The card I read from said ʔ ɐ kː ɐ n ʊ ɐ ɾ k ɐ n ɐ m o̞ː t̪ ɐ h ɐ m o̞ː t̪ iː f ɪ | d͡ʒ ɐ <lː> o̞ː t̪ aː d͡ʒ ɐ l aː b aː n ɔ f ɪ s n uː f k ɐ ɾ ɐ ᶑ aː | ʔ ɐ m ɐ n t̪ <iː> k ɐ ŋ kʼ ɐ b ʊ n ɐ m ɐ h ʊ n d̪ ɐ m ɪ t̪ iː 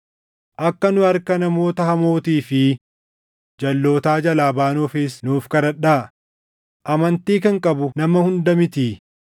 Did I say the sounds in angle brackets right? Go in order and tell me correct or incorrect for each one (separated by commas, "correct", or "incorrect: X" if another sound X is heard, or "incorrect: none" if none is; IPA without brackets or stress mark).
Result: correct, correct